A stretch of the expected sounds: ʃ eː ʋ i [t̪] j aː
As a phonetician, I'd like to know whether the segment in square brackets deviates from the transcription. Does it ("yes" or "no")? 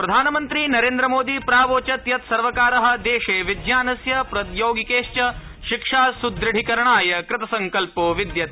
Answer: yes